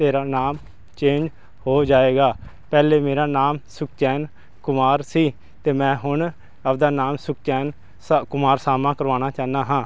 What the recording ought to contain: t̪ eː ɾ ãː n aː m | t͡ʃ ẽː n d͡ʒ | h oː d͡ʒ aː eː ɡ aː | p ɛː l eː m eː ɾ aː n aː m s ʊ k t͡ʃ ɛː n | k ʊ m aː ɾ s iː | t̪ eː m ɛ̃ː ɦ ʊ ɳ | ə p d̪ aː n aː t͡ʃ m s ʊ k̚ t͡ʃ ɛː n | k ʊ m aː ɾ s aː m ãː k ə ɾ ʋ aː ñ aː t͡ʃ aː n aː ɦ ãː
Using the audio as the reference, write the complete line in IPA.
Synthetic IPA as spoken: t̪ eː ɾ aː n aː m | t͡ʃ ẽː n d͡ʒ | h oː d͡ʒ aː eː ɡ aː | p ɛː l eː m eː ɾ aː n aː m s ʊ k t͡ʃ ɛː n | k ʊ m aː ɾ s iː | t̪ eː m ɛ̃ː ɦ ʊ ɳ | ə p d̪ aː n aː m s ʊ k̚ t͡ʃ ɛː n | k ʊ m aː ɾ s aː m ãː k ə ɾ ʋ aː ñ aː t͡ʃ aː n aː ɦ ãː

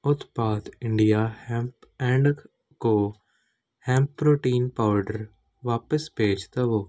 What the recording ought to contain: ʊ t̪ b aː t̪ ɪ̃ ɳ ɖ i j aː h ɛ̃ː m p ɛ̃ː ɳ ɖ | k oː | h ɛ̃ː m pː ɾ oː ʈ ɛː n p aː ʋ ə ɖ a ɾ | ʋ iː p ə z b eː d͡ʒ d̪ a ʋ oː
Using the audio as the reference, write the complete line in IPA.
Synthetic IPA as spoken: ʊ t̪ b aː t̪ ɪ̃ ɳ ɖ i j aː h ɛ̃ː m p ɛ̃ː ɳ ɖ | k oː | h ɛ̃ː m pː ɾ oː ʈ iː n p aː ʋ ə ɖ ə ɾ | ʋ aː p ə s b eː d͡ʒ t̪ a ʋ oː

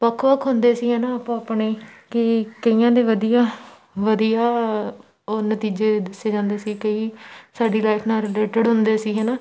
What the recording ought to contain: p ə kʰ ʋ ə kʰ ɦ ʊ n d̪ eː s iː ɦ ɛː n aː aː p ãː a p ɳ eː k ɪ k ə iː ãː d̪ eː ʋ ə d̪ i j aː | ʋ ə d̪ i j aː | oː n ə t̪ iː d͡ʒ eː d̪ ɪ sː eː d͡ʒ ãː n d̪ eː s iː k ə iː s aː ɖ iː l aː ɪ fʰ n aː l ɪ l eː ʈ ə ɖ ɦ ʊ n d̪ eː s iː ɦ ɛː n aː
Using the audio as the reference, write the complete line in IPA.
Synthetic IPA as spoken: p ə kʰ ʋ ə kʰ ɦ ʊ n d̪ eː s iː ɦ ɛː n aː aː p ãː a p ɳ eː k ɪ k ə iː ãː d̪ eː ʋ ə d̪ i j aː | ʋ ə d̪ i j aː | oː n ə t̪ iː d͡ʒ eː d̪ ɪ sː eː d͡ʒ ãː n d̪ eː s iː k ə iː s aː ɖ iː l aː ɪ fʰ n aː ɾ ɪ l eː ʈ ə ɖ ɦ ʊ n d̪ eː s iː ɦ ɛː n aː

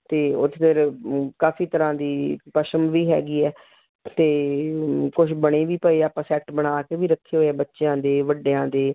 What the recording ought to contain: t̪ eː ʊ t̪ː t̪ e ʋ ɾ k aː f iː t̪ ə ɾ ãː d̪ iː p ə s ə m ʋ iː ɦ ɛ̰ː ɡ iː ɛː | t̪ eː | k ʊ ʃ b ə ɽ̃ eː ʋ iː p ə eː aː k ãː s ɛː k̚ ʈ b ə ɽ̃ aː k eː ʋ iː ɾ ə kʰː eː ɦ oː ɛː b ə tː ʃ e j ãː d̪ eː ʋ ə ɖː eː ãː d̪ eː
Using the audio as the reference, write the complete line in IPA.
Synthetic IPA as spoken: t̪ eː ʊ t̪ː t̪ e ɾ k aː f iː t̪ ə ɾ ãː d̪ iː p ə ʃ ə m ʋ iː ɦ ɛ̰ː ɡ iː ɛː | t̪ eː | k ʊ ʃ b ə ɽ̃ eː ʋ iː p ə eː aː p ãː s ɛː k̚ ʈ b ə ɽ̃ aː k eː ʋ iː ɾ ə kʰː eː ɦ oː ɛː b ə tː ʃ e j ãː d̪ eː ʋ ə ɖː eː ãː d̪ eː

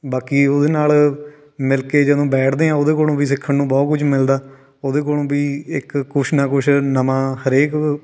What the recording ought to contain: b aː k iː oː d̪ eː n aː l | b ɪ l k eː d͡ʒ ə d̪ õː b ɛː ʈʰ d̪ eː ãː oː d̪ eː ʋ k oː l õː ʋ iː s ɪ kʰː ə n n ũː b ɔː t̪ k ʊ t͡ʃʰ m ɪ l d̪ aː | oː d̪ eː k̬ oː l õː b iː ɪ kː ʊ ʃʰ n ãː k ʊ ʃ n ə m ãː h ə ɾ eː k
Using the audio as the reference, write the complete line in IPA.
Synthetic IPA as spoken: b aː k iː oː d̪ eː n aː l | m ɪ l k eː d͡ʒ ə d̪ õː b ɛː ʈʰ d̪ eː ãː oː d̪ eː k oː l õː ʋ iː s ɪ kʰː ə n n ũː b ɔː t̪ k ʊ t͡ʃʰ m ɪ l d̪ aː | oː d̪ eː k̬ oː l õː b iː ɪ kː ʊ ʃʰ n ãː k ʊ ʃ n ə m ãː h ə ɾ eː k

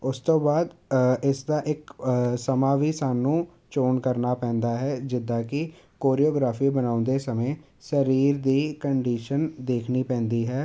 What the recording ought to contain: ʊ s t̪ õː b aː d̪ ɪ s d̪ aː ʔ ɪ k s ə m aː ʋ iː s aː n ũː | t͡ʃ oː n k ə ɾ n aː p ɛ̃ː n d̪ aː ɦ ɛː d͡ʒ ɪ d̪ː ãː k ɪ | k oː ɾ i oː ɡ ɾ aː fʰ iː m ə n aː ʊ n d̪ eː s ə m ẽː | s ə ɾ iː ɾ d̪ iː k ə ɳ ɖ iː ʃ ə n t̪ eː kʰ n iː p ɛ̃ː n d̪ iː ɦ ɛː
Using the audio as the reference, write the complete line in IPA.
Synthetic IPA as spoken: ʊ s t̪ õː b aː d̪ ɪ s d̪ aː ʔ ɪ k s ə m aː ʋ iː s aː n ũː | t͡ʃ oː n k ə ɾ n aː p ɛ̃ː n d̪ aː ɦ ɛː d͡ʒ ɪ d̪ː aː k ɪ | k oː ɾ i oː ɡ ɾ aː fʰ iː b ə n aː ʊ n d̪ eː s ə m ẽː | s ə ɾ iː ɾ d̪ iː k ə ɳ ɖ iː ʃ ə n d̪ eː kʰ n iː p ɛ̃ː n d̪ iː ɦ ɛː

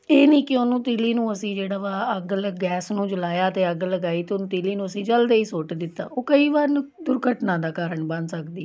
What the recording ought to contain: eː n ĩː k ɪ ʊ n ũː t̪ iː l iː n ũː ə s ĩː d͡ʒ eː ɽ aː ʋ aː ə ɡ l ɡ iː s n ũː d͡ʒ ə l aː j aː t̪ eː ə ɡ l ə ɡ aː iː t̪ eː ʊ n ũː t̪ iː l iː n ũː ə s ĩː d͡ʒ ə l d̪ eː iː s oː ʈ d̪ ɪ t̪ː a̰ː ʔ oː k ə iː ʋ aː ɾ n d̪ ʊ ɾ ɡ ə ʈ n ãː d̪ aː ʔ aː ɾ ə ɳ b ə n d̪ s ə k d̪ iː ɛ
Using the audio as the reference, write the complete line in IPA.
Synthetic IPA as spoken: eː n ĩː k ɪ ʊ n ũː t̪ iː l iː n ũː ə s ĩː d͡ʒ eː ɽ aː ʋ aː ə ɡ l ɡ ɛː s n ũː d͡ʒ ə l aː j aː t̪ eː ə ɡ l ə ɡ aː iː t̪ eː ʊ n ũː t̪ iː l iː n ũː ə s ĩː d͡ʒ ə l d̪ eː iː s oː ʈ d̪ ɪ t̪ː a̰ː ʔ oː k ə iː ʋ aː ɾ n d̪ ʊ ɾ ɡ ə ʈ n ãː d̪ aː k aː ɾ ə ɳ b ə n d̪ s ə k d̪ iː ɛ

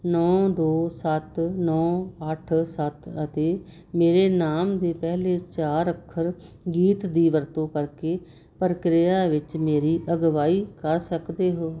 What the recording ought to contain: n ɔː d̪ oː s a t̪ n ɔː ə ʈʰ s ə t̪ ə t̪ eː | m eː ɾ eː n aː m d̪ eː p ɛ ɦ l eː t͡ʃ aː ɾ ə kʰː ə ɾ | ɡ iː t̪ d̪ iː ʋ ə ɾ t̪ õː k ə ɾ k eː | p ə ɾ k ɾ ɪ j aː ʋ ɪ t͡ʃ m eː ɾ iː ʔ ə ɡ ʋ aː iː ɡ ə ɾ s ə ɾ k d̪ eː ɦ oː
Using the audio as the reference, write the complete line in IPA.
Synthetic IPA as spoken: n ɔː d̪ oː s ə t̪ n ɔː ə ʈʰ s ə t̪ ə t̪ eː | m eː ɾ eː n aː m d̪ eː p ɛ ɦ l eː t͡ʃ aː ɾ ə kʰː ə ɾ | ɡ iː t̪ d̪ iː ʋ ə ɾ t̪ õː k ə ɾ k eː | p ə ɾ k ɾ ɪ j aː ʋ ɪ t͡ʃ m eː ɾ iː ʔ ə ɡ ʋ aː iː k ə ɾ s ə k d̪ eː ɦ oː

